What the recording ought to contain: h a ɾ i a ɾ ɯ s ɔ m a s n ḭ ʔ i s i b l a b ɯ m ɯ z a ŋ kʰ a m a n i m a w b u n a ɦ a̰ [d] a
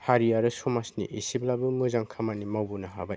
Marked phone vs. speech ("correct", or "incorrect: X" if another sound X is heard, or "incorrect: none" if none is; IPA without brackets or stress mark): incorrect: b